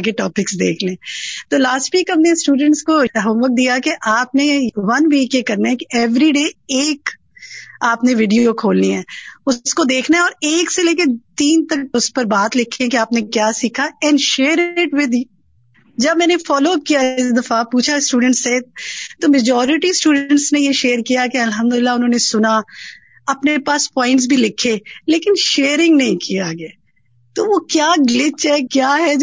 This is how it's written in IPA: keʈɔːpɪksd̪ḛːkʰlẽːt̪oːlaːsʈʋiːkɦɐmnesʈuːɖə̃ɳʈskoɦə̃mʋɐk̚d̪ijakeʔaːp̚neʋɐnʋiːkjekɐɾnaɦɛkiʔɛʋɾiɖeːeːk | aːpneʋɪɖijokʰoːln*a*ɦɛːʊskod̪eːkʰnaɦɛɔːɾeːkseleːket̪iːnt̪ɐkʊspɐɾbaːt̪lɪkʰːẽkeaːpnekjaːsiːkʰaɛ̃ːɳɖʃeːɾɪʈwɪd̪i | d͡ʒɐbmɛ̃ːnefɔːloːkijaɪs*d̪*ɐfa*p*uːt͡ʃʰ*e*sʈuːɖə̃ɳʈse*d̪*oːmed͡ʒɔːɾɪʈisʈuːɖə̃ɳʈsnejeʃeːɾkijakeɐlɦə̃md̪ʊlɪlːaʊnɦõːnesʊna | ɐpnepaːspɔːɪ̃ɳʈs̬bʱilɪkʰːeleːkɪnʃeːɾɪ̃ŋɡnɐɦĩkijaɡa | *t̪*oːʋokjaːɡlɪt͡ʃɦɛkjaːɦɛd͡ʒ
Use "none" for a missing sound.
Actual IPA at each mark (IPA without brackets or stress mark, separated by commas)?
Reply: i, d̪, p, a, t̪, t̪